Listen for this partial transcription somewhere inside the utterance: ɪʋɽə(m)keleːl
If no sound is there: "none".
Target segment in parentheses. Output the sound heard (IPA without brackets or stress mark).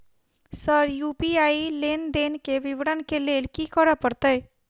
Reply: n